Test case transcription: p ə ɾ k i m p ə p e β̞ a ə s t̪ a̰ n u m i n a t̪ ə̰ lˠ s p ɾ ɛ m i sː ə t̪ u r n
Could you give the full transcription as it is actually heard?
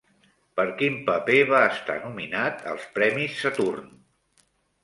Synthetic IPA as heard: p ə ɾ k i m p ə p e β̞ a ə s t̪ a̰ n u m i n a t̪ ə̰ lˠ s p ɾ ɛ m i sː ə t̪ u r n